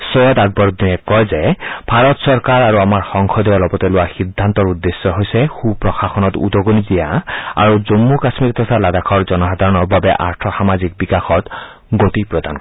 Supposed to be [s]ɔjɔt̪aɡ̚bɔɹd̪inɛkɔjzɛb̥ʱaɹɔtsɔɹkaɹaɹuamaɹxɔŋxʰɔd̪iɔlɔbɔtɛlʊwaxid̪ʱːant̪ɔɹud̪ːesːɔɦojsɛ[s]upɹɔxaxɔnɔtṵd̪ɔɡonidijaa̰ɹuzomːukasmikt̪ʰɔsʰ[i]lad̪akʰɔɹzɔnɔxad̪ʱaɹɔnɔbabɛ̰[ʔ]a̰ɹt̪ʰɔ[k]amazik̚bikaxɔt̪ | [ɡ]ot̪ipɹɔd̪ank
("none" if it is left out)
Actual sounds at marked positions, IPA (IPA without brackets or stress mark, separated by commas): s, x, a, ʔ, x, ɡ